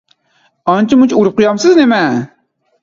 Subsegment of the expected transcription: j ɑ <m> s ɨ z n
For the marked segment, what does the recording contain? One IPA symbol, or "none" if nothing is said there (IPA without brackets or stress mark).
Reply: m